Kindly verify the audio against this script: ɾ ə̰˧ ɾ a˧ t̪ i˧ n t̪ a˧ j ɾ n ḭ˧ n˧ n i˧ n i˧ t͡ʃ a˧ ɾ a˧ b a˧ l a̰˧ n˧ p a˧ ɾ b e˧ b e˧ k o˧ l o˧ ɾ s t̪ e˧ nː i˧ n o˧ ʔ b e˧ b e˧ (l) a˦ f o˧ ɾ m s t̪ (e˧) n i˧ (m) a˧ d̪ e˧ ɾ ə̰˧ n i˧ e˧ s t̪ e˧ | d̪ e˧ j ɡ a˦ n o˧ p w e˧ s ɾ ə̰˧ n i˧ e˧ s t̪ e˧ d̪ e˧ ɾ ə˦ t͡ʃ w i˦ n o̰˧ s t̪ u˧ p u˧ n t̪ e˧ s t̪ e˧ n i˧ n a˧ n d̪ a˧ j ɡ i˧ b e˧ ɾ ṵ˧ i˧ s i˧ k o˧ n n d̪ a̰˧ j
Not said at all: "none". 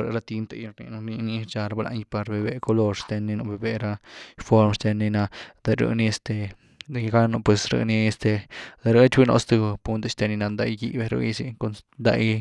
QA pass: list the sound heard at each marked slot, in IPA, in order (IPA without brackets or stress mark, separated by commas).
ɾ, e˧, n